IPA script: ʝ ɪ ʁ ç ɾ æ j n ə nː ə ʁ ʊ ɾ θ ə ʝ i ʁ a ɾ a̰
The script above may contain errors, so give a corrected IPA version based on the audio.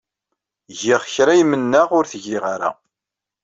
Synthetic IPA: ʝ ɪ ʁ ç ɾ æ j m ə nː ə ʁ ʊ ɾ θ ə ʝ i ʁ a ɾ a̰